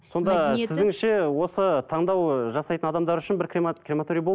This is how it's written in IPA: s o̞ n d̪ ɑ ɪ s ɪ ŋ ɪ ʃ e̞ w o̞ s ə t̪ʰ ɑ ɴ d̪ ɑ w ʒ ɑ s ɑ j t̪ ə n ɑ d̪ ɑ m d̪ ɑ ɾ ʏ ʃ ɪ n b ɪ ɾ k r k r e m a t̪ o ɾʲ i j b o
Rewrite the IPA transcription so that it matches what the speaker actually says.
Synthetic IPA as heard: s o̞ n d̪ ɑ ɪ z ɪ ŋ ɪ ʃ e̞ w o̞ s ə t̪ʰ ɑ ɴ d̪ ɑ w ʒ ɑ s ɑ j t̪ ə n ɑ d̪ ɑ m d̪ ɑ ɾ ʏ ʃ ɪ n b ɪ ɾ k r k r e m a t̪ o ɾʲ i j b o

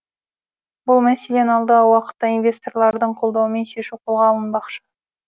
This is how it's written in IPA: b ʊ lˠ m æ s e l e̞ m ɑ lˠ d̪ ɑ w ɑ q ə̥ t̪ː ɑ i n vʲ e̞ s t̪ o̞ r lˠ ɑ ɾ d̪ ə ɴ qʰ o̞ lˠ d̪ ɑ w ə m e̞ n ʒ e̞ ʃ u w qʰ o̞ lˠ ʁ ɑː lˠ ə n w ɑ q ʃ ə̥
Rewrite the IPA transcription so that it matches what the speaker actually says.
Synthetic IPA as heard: b ʊ lˠ m æ s e l e̞ n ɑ lˠ d̪ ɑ w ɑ q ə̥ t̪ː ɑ i n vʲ e̞ s t̪ o̞ r lˠ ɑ ɾ d̪ ə ɴ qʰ o̞ lˠ d̪ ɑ w ə m e̞ n ʃ e̞ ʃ u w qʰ o̞ lˠ ʁ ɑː lˠ ə n b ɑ q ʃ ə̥

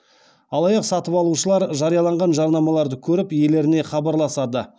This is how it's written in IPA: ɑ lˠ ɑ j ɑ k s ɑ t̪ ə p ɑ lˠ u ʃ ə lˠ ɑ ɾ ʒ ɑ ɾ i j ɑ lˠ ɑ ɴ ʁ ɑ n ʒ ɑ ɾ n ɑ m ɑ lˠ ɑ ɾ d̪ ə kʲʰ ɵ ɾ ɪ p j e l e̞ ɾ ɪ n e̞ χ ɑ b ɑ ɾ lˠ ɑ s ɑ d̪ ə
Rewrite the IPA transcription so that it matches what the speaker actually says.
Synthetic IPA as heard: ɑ lˠ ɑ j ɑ q s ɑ t̪ ə p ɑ lˠ u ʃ ə lˠ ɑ ɾ ʒ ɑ ɾ i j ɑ lˠ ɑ ɴ ʁ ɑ n ʒ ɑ ɾ n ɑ m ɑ lˠ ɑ ɾ d̪ ə kʲʰ ɵ ɾ ɪ p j e l e̞ ɾ ɪ n e̞ χ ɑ b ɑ ɾ lˠ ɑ s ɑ d̪ ə

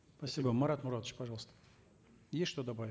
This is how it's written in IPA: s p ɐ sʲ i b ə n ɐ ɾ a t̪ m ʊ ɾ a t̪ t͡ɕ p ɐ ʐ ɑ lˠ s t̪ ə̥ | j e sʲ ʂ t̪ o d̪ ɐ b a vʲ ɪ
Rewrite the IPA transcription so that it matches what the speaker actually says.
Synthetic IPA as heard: s p ɐ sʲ i b ə m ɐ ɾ a t̪ m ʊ ɾ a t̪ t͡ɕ p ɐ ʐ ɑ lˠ s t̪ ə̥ | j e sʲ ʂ t̪ o d̪ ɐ b a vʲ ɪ

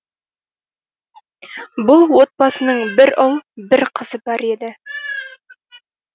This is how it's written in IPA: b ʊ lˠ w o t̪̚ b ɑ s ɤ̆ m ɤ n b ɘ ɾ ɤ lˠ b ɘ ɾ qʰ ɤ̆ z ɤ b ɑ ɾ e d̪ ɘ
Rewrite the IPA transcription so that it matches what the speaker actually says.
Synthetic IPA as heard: b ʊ lˠ w o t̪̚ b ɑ s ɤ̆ n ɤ ɴ b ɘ ɾ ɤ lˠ b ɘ ɾ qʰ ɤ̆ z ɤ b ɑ ɾ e d̪ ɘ

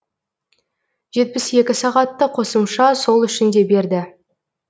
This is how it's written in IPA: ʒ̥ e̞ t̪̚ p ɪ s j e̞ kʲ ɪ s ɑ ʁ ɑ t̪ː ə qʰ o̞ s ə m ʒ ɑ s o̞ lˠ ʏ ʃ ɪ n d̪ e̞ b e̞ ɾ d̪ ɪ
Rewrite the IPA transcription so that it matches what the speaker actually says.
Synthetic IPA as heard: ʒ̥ e̞ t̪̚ p ɪ s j e̞ kʲ ɪ s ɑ ʁ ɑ t̪ː ə qʰ o̞ s ə m ʃ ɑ s o̞ lˠ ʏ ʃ ɪ n d̪ e̞ b e̞ ɾ d̪ ɪ

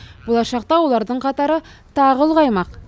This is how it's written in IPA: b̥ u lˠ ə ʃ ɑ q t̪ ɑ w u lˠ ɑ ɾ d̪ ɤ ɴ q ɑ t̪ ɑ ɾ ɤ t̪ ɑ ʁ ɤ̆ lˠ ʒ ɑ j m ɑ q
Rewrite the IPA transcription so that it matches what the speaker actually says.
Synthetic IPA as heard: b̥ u lˠ ɑ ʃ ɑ q t̪ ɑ w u lˠ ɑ ɾ d̪ ɤ ɴ q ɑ t̪ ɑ ɾ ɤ t̪ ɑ ʁ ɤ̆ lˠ ʁ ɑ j m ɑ q

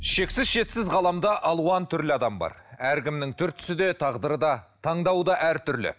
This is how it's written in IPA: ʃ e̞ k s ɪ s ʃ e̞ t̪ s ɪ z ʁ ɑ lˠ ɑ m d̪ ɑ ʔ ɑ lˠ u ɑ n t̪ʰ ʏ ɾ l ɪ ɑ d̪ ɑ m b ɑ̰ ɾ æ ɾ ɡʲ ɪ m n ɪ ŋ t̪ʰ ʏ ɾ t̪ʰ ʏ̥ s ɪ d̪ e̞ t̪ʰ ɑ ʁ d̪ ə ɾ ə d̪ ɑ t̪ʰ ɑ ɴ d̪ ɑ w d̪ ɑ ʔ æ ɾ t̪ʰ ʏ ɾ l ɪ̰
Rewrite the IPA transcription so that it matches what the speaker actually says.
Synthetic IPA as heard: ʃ e̞ k s ɪ z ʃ e̞ t̪ s ɪ z ʁ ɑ lˠ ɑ m d̪ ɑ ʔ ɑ lˠ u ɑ n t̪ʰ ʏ ɾ l ɪ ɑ d̪ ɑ m b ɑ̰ ɾ æ ɾ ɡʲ ɪ m n ɪ ŋ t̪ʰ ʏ ɾ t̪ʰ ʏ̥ s ɪ d̪ e̞ t̪ʰ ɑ ʁ d̪ ə ɾ ə d̪ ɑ t̪ʰ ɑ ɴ d̪ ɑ w d̪ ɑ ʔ æ ɾ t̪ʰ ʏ ɾ l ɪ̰

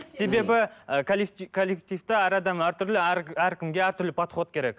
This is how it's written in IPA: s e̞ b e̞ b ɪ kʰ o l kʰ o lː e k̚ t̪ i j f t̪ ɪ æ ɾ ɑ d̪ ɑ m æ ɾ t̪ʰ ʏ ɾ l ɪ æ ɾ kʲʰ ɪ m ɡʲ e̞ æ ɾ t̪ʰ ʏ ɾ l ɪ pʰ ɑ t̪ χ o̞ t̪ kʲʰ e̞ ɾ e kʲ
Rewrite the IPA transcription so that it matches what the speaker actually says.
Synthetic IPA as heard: s e̞ b e̞ b ɪ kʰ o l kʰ o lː e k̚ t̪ i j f t̪ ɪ æ ɾ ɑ d̪ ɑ m æ ɾ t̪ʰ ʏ ɾ l ɪ æ ɾ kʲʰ ɪ m ɡʲ e̞ æ ɾ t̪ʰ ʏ ɾ l ɪ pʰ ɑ t̪ χ o̞ t̪ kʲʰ e̞ ɾ e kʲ

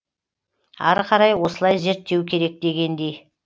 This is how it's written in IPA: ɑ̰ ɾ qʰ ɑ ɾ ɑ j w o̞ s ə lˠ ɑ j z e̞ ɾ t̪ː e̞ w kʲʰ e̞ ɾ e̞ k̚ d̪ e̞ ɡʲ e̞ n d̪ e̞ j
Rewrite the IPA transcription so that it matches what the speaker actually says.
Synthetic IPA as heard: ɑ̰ ɾ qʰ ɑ ɾ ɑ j w o̞ s ə lˠ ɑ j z e̞ ɾ t̪ː e̞ w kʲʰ e̞ ɾ e̞ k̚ d̪ e̞ ɡʲ e̞ n d̪ e̞ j

